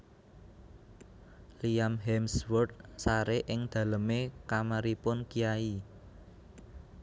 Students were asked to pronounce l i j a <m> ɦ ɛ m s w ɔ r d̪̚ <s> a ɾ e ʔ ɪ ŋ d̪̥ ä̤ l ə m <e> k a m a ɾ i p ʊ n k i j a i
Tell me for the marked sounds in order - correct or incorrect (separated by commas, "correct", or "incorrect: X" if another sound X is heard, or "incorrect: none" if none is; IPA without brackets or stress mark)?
correct, correct, correct